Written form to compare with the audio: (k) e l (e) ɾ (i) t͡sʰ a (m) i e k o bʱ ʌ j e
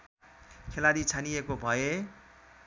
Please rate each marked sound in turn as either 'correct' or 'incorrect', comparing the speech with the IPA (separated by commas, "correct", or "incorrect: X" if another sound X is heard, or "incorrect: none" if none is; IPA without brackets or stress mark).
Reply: incorrect: kʰ, incorrect: a, correct, incorrect: n